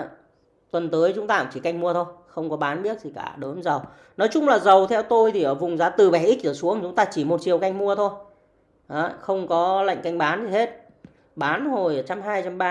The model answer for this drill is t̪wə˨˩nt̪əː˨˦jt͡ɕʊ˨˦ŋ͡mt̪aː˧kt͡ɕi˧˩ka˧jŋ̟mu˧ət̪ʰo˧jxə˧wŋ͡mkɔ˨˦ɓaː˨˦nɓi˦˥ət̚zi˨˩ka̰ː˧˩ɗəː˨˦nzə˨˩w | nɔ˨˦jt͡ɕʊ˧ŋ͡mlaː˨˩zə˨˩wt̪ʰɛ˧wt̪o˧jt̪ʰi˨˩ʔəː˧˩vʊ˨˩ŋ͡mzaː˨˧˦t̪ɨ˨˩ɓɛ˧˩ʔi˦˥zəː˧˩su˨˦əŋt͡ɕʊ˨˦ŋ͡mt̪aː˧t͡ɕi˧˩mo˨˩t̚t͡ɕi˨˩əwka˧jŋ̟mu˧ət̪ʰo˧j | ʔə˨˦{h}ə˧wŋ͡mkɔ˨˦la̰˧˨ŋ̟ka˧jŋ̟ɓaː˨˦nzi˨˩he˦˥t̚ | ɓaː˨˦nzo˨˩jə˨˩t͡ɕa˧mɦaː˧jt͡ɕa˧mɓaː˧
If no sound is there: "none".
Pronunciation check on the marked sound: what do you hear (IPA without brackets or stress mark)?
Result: x